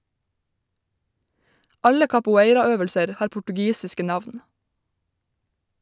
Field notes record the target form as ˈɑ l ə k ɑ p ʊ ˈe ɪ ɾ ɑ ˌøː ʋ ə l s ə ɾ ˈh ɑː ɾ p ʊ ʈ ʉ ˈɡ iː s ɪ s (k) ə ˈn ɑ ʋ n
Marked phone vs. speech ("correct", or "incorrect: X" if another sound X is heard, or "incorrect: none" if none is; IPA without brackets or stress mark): correct